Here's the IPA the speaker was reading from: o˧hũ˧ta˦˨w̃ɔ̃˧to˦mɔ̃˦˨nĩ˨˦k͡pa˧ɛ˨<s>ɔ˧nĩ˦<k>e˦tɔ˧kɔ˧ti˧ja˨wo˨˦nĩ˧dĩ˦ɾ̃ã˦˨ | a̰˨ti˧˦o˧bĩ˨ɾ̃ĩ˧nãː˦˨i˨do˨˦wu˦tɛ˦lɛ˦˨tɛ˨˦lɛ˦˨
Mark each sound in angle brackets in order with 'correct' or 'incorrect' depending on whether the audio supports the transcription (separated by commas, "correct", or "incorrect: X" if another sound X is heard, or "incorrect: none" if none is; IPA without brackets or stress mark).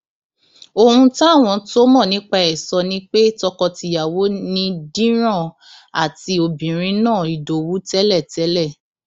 correct, incorrect: k͡p